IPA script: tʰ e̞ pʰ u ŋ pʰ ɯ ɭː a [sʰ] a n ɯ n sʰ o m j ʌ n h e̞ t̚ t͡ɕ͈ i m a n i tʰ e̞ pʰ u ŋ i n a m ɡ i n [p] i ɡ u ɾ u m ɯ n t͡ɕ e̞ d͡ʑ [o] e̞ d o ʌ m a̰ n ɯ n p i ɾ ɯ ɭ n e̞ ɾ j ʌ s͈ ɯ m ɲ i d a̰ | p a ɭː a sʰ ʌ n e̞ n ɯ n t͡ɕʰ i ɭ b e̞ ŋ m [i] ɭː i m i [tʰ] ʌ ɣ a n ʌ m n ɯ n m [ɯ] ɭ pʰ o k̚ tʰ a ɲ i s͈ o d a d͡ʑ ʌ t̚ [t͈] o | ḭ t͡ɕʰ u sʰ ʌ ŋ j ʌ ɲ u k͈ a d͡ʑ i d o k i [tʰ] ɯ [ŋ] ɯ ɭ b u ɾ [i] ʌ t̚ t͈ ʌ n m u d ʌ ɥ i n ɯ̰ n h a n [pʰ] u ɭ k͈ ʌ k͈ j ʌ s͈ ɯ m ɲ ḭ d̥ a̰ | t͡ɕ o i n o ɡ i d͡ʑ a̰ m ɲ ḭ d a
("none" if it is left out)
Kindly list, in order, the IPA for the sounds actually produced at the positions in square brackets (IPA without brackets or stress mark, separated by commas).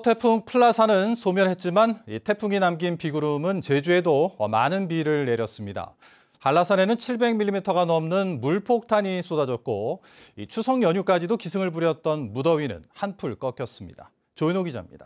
sʰ, p, u, i, tʰ, u, k͈, sʰ, ŋ, j, pʰ